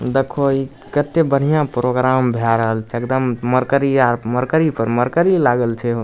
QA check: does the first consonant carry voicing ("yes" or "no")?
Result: yes